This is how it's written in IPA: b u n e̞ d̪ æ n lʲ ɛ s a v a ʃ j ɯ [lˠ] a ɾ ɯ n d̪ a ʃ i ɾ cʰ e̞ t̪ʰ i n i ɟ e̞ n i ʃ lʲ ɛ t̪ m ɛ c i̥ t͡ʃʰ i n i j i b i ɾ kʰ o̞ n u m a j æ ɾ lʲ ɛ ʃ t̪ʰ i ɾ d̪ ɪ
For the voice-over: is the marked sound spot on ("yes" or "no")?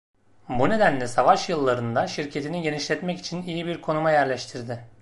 no